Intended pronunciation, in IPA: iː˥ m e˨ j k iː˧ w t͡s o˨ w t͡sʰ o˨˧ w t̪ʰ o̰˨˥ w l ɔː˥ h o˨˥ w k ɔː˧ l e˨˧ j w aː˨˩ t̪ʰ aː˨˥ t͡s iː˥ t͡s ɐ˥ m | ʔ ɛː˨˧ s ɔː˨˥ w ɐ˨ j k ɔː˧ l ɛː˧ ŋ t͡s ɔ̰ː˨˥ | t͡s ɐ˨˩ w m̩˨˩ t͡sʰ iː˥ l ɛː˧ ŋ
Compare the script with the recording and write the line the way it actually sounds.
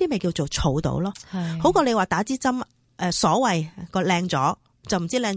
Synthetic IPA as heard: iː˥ m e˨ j k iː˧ w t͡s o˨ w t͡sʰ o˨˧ w t̪ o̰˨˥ w l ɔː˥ h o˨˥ w k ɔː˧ l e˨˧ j w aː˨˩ t̪ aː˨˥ t͡s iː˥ t͡s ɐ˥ m | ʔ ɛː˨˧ s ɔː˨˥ w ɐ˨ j k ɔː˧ l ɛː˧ ŋ t͡s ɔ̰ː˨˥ | t͡s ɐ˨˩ w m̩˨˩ t͡s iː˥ l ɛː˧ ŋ